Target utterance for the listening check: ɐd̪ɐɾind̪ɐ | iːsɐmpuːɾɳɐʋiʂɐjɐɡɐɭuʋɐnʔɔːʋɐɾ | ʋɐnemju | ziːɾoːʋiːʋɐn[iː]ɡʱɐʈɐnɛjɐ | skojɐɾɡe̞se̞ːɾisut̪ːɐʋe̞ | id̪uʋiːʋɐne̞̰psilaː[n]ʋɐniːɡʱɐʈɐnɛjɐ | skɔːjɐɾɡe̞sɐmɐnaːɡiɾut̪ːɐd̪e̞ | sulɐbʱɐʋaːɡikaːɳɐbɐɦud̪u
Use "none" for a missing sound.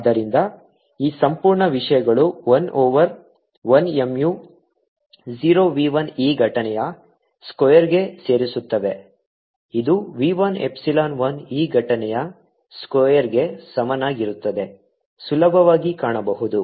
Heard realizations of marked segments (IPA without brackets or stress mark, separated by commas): iː, n